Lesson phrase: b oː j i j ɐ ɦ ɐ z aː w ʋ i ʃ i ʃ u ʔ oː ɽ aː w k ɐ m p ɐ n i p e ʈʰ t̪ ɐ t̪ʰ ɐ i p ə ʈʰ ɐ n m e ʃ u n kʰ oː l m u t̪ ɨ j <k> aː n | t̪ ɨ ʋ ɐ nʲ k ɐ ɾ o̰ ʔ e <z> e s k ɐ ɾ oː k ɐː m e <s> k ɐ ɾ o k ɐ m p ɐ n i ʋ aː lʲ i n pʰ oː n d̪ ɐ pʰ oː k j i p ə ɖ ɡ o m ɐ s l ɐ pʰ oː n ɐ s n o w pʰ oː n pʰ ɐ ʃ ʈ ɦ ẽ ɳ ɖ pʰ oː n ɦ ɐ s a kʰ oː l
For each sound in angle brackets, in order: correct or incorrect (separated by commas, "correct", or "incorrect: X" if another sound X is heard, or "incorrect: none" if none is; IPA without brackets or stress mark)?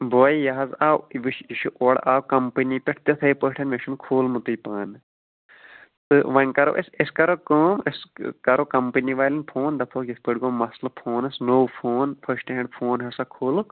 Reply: incorrect: p, incorrect: s, correct